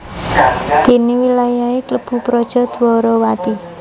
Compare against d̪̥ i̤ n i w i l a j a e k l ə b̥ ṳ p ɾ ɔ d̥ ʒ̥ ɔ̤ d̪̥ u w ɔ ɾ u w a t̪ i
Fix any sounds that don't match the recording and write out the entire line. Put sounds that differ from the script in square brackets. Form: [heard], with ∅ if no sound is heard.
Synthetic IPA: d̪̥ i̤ n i w i l a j a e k l ə b̥ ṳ p ɾ ɔ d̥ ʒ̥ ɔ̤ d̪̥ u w ɔ ɾ [ɔ] w a t̪ i